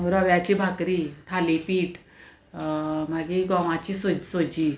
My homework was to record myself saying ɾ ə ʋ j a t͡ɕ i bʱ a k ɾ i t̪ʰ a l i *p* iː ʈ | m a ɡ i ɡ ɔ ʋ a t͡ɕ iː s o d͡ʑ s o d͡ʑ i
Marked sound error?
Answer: no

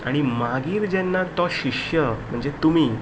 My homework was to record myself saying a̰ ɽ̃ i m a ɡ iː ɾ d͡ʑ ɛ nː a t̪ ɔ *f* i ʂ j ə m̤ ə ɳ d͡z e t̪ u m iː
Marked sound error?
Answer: yes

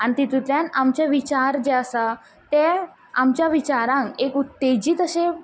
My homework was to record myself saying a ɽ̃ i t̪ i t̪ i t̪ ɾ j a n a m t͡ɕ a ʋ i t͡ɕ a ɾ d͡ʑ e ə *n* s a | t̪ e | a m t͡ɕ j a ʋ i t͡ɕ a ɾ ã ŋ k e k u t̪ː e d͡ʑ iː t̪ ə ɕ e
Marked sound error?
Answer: yes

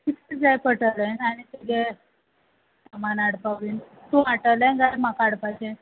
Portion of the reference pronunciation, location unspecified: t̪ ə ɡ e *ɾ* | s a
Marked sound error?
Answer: yes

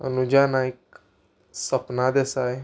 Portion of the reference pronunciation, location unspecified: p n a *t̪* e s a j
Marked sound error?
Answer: yes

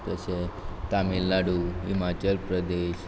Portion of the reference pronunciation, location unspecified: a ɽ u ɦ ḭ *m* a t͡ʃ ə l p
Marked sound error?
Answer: no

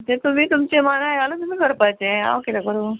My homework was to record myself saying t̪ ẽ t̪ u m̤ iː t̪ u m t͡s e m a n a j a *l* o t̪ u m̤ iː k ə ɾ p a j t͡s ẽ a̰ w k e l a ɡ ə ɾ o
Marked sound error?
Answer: no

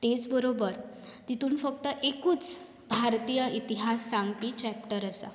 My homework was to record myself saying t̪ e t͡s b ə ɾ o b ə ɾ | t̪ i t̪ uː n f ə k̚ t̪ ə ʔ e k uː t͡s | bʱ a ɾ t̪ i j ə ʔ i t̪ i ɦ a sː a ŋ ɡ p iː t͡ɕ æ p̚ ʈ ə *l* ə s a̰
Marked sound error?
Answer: yes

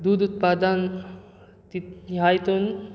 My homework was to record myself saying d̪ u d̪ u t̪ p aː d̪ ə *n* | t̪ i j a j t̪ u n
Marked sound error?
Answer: no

